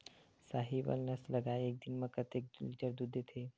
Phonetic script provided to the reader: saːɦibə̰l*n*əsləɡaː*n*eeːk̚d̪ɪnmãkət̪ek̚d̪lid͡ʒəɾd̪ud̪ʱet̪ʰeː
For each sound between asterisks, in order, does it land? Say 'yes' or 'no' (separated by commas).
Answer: yes, no